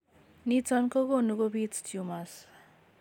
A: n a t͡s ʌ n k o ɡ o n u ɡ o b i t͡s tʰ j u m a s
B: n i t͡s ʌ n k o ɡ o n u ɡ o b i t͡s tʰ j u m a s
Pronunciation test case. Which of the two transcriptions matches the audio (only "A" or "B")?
B